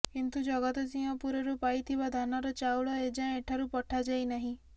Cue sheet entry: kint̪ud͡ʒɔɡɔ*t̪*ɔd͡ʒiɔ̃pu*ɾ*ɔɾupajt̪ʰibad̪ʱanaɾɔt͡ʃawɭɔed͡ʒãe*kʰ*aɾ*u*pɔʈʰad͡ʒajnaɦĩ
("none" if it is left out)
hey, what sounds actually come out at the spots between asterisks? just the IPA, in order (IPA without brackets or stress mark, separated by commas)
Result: t̪, ɾ, ʈʰ, u